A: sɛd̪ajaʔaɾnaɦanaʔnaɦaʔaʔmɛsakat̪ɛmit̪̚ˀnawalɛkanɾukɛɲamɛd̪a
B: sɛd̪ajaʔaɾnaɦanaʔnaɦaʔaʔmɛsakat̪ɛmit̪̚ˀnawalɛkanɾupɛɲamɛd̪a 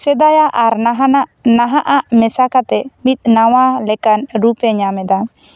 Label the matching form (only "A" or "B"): B